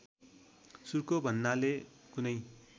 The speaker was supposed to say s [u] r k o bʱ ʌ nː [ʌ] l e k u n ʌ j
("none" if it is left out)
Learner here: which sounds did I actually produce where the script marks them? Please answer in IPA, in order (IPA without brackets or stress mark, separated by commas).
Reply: u, a